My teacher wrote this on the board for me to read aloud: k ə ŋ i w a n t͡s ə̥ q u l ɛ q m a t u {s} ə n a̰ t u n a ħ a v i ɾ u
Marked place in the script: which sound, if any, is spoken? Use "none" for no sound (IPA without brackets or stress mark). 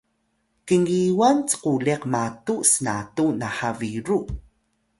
s